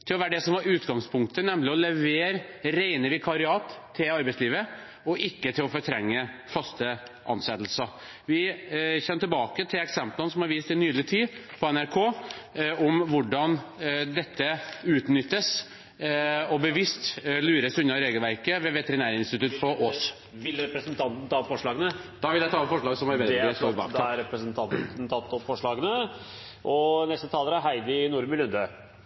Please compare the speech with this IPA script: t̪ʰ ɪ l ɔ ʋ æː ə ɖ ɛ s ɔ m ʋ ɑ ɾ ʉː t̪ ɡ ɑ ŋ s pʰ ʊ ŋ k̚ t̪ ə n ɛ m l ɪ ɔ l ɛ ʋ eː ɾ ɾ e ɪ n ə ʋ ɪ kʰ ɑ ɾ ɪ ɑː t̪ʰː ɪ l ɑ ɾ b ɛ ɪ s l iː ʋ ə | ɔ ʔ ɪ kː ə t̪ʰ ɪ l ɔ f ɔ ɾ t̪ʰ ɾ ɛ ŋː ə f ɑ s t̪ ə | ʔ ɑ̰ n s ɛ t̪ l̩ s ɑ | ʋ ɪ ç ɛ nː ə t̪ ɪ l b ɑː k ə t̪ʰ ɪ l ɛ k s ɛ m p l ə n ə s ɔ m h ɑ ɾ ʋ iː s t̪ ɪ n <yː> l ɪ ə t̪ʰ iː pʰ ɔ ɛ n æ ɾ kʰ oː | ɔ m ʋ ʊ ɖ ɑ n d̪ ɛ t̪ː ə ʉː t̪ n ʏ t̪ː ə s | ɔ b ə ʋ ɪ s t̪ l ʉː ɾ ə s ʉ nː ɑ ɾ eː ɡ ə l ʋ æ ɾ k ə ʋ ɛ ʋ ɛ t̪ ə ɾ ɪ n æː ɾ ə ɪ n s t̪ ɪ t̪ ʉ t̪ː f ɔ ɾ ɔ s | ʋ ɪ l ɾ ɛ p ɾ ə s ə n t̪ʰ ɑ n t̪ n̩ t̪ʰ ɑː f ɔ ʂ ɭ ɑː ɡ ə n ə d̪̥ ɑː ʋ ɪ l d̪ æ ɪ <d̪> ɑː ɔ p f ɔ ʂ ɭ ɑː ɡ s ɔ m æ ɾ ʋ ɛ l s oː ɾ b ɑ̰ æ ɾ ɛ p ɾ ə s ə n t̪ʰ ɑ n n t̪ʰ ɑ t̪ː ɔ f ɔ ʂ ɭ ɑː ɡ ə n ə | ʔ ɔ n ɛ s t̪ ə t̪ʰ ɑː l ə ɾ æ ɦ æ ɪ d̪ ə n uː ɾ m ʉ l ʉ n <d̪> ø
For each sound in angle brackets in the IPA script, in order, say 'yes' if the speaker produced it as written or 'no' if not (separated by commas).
yes, no, yes